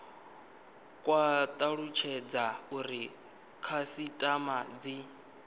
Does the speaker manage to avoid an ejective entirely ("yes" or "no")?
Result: no